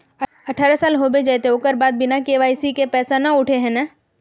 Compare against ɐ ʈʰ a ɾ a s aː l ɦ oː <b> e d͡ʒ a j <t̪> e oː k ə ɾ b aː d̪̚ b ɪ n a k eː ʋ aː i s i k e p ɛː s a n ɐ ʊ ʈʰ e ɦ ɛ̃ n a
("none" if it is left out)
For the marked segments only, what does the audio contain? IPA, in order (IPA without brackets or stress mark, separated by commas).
b, t̪